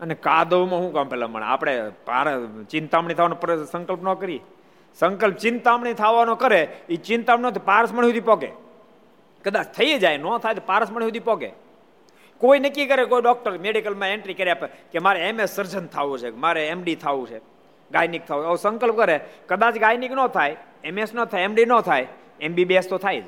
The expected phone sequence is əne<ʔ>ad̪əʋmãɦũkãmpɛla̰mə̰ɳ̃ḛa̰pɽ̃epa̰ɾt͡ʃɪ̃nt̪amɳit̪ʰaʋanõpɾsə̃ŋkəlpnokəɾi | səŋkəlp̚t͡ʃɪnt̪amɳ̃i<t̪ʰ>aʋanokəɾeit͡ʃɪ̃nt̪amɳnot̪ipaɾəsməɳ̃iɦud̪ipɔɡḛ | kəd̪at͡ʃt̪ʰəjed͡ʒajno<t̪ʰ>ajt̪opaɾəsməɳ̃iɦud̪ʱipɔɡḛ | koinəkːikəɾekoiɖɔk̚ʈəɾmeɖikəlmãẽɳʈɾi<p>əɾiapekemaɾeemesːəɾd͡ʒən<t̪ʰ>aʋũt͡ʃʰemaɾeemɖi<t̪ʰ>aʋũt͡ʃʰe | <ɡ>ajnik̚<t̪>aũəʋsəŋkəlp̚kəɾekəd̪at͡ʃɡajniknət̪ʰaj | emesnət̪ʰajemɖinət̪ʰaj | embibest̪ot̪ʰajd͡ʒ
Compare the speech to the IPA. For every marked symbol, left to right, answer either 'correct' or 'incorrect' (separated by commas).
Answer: incorrect, correct, correct, incorrect, correct, correct, correct, incorrect